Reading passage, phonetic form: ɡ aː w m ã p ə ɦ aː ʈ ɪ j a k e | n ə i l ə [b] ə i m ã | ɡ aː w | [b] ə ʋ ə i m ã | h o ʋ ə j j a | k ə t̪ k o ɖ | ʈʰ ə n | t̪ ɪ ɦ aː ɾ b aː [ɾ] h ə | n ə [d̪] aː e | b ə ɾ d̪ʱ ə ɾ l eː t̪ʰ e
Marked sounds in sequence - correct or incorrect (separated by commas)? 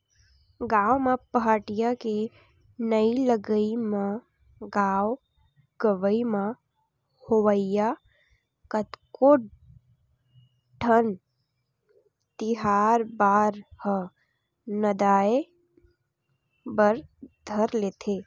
incorrect, incorrect, correct, correct